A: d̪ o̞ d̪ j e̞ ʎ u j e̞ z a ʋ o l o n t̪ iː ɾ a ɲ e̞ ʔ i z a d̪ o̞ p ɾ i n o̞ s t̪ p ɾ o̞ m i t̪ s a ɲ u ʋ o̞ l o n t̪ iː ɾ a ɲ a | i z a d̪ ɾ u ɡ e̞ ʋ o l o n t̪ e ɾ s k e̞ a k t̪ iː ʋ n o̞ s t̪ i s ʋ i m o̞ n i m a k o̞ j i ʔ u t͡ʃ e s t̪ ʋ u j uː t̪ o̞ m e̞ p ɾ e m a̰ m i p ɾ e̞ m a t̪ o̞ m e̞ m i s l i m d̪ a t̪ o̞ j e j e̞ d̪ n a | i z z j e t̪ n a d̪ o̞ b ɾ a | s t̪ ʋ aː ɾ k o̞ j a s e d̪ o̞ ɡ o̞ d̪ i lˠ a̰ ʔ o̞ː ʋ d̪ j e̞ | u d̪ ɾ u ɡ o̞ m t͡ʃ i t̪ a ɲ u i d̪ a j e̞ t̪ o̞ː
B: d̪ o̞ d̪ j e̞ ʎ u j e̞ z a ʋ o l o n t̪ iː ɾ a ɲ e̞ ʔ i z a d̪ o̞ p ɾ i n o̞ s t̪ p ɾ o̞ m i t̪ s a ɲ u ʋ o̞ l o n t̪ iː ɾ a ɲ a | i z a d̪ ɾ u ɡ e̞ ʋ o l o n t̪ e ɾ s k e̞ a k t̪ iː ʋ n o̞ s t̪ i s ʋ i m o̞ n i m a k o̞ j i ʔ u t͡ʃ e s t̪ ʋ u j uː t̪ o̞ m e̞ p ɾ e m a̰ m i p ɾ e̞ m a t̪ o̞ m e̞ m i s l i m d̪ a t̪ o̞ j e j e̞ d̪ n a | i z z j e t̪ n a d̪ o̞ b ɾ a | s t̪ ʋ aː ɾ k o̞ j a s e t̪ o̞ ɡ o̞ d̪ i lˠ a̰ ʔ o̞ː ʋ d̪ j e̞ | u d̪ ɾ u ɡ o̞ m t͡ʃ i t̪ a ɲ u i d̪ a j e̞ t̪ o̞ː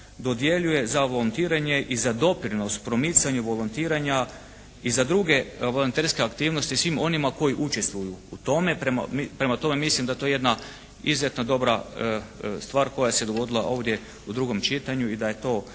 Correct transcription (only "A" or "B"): A